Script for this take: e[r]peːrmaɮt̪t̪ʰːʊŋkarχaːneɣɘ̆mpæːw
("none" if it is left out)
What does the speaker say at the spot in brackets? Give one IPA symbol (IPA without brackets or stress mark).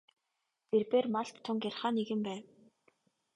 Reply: r